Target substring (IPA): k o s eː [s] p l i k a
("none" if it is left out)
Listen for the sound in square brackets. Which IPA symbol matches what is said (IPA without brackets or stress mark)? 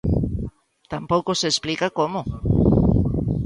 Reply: s